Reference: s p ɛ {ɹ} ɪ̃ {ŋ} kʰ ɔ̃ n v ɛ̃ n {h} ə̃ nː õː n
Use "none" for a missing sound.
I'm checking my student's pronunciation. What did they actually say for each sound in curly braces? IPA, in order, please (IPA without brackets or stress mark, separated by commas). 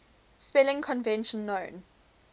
l, ŋ, ʃ